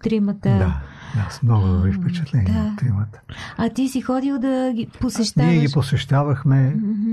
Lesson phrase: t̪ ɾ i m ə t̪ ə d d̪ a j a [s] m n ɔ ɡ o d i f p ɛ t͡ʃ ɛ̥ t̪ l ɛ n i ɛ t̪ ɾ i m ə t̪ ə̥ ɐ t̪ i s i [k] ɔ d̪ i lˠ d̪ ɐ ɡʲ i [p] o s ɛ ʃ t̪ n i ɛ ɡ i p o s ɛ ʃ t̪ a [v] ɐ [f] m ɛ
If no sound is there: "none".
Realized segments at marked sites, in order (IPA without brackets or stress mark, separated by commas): s, x, p, v, x